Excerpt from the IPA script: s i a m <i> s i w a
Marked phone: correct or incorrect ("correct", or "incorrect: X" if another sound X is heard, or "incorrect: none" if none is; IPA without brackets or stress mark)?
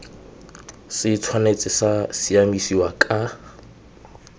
correct